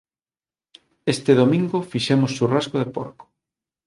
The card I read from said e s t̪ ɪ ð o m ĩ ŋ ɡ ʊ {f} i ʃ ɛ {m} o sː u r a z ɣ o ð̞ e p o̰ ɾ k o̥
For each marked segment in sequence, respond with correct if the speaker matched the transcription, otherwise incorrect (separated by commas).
correct, correct